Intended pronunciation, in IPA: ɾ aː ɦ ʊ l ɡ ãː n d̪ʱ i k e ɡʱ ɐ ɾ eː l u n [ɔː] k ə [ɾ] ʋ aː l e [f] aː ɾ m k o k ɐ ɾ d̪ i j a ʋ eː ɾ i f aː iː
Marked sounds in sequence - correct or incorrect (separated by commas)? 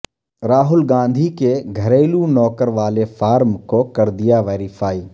correct, correct, correct